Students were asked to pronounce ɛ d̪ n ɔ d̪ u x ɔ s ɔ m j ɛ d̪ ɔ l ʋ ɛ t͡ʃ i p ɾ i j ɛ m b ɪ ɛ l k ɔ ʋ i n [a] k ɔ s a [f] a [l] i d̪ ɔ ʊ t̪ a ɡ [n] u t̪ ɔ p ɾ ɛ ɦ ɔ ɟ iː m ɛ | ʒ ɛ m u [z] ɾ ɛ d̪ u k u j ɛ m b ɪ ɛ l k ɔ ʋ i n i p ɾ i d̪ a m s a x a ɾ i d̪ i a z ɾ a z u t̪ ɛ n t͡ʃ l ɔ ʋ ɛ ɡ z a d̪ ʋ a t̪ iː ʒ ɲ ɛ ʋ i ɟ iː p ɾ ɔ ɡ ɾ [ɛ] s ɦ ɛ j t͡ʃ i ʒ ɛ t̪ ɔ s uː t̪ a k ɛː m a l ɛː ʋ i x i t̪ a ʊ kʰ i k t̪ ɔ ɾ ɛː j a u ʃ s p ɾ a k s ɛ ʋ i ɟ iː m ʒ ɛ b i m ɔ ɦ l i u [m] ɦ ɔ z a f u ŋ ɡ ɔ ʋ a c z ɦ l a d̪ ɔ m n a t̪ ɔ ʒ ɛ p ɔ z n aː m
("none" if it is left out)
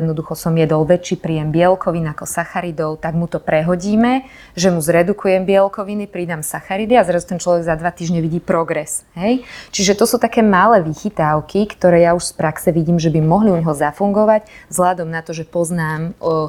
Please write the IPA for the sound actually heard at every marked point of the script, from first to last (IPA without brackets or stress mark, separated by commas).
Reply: a, x, ɾ, m, z, ɛ, ɲ